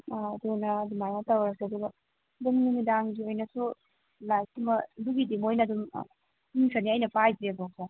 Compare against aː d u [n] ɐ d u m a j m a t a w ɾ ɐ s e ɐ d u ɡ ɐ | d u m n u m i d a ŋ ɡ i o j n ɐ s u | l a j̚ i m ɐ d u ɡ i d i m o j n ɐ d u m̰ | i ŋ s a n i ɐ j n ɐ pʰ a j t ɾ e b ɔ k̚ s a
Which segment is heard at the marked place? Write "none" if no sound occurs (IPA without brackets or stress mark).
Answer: n